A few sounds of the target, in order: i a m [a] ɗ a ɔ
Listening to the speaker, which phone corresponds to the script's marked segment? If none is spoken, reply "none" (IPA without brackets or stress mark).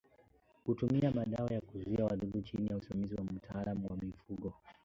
a